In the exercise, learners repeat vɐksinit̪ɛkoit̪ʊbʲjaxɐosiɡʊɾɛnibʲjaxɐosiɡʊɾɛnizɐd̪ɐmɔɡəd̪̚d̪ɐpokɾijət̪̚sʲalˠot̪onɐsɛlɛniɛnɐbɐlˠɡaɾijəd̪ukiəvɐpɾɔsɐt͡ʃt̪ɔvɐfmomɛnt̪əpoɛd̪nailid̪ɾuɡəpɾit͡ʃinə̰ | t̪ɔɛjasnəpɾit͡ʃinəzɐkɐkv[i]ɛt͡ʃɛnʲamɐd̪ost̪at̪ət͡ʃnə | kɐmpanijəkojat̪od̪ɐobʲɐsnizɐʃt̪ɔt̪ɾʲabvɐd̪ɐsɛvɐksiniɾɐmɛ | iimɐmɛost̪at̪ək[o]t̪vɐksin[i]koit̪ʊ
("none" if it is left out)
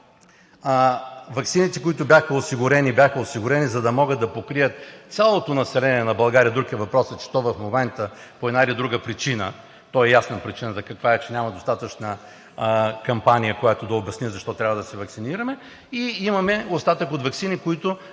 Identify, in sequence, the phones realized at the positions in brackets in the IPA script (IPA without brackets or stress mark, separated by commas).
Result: a, o, i